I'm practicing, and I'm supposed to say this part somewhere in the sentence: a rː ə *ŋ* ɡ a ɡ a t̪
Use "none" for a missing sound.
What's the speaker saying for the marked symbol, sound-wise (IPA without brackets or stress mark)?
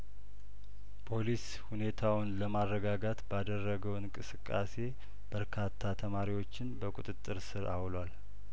none